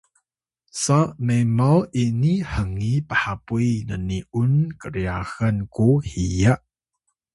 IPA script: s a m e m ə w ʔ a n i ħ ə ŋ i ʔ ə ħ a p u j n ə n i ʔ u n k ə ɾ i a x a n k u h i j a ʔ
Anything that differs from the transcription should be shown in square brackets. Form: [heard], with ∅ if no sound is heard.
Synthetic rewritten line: s a m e m [a] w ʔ [i] n i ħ ə ŋ i [p] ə ħ a p u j n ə n i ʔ u n k ə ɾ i a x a n k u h i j a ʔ